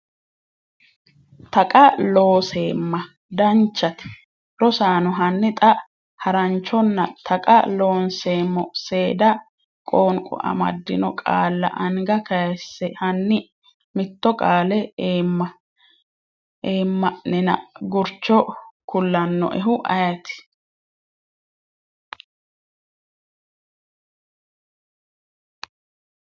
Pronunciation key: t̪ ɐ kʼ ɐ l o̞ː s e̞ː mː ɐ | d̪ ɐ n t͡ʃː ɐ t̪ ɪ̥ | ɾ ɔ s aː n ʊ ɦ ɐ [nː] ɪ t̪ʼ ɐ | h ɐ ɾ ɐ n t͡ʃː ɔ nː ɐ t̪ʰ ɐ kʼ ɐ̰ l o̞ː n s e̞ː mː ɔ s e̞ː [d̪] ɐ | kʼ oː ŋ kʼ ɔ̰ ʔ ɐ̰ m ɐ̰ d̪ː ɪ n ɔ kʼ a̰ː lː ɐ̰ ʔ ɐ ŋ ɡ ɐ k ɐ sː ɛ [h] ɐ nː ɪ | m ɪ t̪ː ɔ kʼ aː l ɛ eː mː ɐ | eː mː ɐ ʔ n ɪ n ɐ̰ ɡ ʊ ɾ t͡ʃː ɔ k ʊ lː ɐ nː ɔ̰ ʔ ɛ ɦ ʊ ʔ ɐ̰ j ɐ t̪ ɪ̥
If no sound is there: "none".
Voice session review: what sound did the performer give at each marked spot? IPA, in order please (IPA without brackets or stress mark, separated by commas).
nː, d̪, h